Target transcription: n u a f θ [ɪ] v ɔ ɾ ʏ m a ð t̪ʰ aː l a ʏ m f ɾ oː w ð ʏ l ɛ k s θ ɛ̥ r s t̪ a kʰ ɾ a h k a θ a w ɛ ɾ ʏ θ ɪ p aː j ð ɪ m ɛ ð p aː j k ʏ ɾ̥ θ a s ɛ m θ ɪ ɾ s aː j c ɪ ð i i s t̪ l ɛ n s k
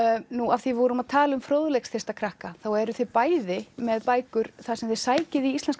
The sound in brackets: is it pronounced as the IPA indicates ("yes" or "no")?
no